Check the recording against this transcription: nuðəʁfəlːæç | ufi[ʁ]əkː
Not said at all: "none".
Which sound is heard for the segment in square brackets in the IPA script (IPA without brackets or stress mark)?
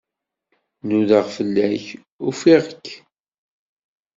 ʁ